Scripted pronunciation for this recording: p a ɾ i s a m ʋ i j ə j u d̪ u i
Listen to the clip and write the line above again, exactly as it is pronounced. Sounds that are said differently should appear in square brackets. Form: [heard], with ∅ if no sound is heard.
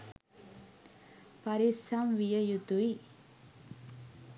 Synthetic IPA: p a ɾ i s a m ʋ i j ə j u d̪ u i